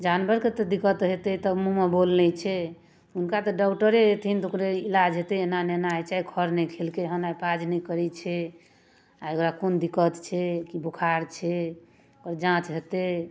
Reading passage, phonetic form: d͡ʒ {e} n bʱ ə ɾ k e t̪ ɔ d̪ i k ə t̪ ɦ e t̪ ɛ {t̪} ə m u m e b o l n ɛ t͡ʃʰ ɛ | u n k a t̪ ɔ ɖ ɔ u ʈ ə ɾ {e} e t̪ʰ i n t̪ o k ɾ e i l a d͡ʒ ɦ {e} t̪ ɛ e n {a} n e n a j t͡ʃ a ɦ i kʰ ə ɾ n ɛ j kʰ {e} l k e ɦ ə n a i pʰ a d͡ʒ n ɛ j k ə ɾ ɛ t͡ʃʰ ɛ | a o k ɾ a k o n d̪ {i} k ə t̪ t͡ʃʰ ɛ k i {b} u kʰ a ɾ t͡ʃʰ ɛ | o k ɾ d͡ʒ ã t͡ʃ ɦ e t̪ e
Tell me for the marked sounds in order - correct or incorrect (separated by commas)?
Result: incorrect, correct, correct, correct, correct, correct, correct, correct